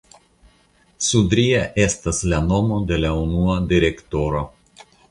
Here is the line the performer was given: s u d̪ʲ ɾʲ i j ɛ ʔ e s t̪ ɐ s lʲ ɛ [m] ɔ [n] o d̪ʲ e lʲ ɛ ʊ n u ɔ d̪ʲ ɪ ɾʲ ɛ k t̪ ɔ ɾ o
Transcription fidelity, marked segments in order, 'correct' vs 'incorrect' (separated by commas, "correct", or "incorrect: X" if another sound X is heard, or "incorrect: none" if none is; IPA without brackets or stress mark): incorrect: n, incorrect: m